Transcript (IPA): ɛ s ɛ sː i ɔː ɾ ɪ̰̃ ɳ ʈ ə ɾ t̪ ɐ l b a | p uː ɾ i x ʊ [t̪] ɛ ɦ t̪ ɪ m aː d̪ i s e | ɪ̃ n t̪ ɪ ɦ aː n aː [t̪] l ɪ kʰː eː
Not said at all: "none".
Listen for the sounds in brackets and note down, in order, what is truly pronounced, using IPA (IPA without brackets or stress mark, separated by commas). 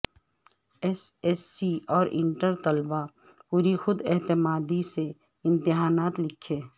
d̪, t̪